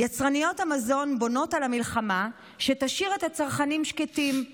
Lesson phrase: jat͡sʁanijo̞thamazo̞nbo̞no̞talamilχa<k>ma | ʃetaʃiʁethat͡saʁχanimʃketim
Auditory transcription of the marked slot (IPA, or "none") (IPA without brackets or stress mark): none